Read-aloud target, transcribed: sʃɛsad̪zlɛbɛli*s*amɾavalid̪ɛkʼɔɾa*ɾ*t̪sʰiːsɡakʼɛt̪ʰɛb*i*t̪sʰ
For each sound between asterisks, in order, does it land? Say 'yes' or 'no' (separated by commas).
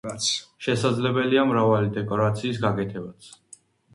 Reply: no, no, no